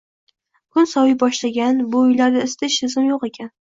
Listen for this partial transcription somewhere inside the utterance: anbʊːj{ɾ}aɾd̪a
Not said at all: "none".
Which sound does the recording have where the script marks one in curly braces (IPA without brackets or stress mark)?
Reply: l